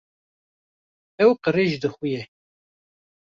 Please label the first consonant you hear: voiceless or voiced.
voiced